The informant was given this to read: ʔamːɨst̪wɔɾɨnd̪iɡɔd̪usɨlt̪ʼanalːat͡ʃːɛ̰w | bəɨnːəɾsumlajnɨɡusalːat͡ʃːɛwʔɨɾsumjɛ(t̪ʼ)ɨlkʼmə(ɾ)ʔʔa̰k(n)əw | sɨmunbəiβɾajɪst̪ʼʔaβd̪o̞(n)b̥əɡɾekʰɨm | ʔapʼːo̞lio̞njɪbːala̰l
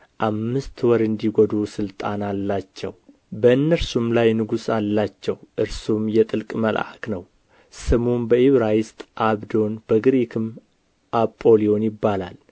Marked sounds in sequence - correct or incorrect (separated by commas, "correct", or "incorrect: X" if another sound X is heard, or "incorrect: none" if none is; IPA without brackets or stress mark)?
correct, incorrect: l, correct, correct